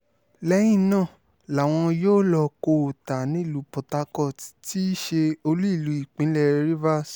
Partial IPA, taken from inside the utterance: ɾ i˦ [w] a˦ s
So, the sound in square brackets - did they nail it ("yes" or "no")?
no